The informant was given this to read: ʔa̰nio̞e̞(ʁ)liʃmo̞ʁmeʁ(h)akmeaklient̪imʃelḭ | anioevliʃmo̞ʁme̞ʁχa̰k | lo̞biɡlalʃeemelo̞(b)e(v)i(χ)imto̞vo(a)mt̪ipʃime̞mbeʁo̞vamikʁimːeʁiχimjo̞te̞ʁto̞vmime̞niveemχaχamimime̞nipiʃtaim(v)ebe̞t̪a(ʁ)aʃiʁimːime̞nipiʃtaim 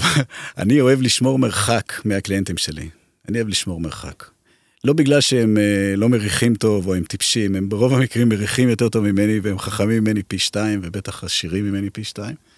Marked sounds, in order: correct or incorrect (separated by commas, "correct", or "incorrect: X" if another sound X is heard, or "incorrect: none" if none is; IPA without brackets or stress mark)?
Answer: incorrect: v, incorrect: χ, incorrect: m, incorrect: ʁ, correct, incorrect: e, correct, incorrect: χ